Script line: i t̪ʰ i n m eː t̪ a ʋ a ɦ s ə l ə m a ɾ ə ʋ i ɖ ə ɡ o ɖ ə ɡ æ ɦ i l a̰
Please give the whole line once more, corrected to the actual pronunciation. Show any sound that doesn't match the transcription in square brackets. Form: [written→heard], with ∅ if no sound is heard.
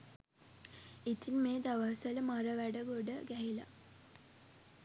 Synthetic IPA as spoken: i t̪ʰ i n m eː [t̪→d̪] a ʋ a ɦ s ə l ə m a ɾ ə ʋ [i→æ] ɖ ə ɡ o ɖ ə ɡ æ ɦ i l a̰